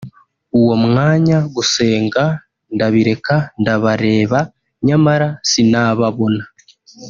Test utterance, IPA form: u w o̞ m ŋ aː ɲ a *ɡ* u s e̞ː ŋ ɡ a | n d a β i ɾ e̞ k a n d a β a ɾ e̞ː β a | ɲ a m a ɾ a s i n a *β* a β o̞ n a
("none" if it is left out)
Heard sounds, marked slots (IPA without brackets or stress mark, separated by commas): ɡ, β